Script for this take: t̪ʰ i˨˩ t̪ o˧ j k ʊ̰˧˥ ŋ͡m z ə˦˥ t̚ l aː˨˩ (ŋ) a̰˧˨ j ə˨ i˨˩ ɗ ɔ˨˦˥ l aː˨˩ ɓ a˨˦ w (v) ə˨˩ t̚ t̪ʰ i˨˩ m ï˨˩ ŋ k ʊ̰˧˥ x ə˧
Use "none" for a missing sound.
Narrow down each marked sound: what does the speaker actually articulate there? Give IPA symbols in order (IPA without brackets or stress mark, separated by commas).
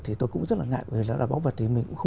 ŋ, v